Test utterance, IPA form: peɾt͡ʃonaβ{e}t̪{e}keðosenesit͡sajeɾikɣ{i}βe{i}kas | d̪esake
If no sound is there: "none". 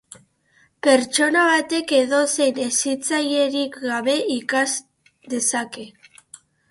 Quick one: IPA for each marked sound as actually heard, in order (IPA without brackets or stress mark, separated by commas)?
a, e, a, i